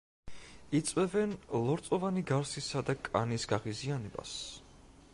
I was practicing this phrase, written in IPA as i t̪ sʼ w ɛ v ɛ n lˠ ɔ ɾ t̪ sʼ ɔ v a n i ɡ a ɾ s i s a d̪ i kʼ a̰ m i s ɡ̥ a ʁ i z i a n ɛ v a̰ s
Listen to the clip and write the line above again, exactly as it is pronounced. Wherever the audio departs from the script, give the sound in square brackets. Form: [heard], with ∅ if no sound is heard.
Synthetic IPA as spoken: i t̪ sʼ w ɛ v ɛ n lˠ ɔ ɾ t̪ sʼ ɔ v a n i ɡ a ɾ s i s a d̪ [a] kʼ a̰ [n] i s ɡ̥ a ʁ i z i a n ɛ [b] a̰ s